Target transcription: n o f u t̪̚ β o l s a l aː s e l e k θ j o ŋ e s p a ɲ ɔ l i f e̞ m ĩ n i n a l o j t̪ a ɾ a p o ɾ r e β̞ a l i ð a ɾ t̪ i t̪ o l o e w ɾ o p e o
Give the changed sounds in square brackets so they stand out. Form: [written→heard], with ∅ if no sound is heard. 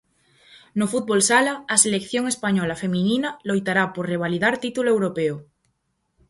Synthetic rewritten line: n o f u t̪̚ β o l s a l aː s e l e k θ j o ŋ e s p a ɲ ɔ l [i→a] f e̞ m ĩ n i n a l o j t̪ a ɾ a p o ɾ r e β̞ a l i ð a ɾ t̪ i t̪ [o→u] l o e w ɾ o p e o